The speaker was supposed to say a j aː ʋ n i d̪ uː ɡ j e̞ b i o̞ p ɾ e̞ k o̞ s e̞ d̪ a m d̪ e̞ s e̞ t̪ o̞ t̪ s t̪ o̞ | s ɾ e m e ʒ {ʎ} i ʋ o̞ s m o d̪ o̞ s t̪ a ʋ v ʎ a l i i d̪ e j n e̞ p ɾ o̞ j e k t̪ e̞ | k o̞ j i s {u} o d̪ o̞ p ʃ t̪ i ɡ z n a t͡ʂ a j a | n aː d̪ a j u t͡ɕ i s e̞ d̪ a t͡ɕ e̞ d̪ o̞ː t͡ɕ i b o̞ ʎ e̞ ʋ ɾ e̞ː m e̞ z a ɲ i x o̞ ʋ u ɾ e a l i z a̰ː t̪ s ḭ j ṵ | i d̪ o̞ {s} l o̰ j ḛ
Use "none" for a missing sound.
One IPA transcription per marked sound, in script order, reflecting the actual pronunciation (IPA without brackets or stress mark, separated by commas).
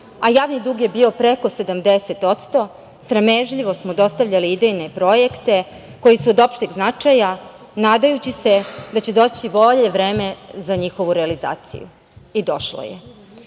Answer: ʎ, u, ʃ